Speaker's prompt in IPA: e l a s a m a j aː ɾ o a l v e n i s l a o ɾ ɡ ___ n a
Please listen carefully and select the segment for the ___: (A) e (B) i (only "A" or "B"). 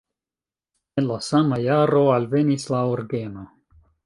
A